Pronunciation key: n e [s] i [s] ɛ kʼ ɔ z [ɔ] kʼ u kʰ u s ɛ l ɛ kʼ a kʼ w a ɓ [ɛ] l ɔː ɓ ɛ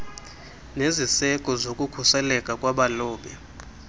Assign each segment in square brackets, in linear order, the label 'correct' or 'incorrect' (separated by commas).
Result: incorrect, correct, incorrect, incorrect